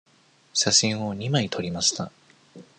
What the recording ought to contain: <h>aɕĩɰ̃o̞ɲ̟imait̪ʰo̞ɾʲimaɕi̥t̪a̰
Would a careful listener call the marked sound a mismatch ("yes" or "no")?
yes